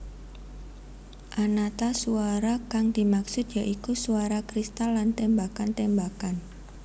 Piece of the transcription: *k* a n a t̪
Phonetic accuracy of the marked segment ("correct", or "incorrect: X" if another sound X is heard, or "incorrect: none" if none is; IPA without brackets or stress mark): incorrect: ʔ